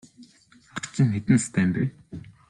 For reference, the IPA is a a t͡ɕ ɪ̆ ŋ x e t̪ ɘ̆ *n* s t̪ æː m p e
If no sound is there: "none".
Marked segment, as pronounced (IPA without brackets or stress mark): n